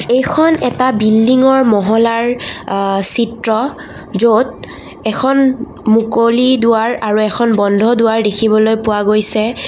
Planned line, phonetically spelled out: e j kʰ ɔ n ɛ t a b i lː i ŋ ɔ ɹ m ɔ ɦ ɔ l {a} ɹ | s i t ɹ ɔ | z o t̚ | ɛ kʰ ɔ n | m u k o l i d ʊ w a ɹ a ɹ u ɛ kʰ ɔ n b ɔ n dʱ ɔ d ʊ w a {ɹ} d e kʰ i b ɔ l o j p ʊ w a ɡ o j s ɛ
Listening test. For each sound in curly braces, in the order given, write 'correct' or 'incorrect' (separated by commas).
correct, correct